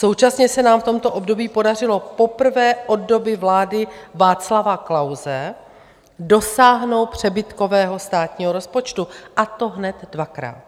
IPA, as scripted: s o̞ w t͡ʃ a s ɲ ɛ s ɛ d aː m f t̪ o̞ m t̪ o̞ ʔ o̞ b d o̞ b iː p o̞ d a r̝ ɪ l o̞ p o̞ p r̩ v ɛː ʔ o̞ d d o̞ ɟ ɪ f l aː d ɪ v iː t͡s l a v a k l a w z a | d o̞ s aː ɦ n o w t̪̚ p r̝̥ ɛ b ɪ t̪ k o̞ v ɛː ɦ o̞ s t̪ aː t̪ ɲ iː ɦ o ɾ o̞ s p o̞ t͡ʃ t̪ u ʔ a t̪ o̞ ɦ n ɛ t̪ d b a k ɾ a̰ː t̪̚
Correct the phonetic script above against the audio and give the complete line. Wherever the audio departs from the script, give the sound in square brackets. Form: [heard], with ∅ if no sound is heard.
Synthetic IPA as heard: s o̞ w t͡ʃ a s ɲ ɛ s ɛ [n] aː m f t̪ o̞ m t̪ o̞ ʔ o̞ b d o̞ b iː p o̞ d a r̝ ɪ l o̞ p o̞ p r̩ v ɛː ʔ o̞ d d o̞ [b] ɪ [v] l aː d ɪ v [aː] t͡s l a v a k l a w z [ɛ] | d o̞ s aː ɦ n o w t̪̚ p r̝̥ ɛ b ɪ t̪ k o̞ v ɛː ɦ o̞ s t̪ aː t̪ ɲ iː ɦ o ɾ o̞ s p o̞ t͡ʃ t̪ u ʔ a t̪ o̞ ɦ n ɛ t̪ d [v] a k ɾ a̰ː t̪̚